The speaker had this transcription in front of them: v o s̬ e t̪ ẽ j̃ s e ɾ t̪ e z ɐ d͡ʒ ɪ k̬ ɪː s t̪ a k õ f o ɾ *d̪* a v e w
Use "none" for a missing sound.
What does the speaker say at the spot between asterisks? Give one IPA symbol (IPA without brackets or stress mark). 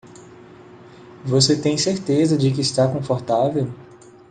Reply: t̪